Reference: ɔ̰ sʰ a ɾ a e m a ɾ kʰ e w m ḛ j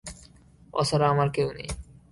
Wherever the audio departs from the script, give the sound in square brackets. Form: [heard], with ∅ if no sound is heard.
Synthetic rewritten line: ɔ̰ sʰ a ɾ a [a] m a ɾ [k] e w [n] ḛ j